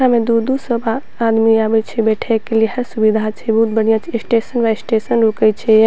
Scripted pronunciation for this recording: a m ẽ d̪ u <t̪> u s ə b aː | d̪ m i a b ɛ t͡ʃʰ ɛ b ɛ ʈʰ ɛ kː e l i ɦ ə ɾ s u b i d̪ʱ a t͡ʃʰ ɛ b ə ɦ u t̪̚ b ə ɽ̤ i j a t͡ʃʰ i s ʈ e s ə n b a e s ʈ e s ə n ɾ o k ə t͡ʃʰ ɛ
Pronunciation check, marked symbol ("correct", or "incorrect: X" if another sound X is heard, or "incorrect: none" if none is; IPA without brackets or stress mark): incorrect: d̪